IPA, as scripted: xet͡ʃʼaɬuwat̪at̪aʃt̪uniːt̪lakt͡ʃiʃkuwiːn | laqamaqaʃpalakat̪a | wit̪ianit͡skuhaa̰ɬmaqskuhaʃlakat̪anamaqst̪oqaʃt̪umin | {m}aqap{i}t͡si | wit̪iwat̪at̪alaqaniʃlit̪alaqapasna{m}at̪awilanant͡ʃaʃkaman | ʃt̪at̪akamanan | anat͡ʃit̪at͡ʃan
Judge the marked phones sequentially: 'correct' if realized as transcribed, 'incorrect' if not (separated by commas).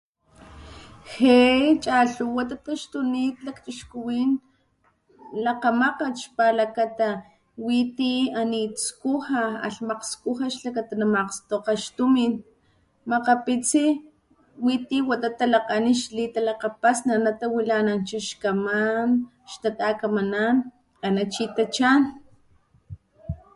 correct, correct, incorrect